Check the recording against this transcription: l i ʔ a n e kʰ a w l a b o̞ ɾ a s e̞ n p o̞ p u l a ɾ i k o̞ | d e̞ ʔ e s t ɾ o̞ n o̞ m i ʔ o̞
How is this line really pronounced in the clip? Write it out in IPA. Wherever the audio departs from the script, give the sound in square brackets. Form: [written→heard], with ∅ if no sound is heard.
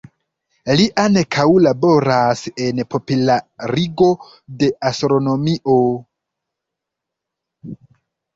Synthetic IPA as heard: l i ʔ a n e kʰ a w l a b o̞ ɾ a s e̞ n p o̞ p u l a ɾ i [k→ɡ] o̞ | d e̞ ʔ [e→a] s t ɾ o̞ n o̞ m i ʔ o̞